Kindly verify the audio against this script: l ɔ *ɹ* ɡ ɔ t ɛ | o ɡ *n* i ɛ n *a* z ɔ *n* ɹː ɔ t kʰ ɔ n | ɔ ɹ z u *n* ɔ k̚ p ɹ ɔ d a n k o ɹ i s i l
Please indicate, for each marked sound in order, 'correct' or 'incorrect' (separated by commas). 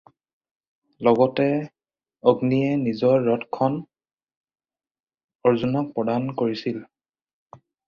incorrect, correct, incorrect, incorrect, correct